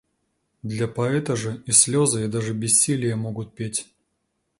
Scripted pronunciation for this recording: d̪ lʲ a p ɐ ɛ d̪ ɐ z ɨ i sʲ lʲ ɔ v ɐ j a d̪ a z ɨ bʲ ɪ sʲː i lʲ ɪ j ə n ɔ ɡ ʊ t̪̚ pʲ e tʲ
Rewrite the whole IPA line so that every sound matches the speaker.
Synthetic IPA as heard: d̪ lʲ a p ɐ ɛ t̪ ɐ ʐ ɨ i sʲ lʲ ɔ z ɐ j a d̪ a ʐ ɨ bʲ ɪ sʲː i lʲ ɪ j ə m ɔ ɡ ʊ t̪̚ pʲ e tʲ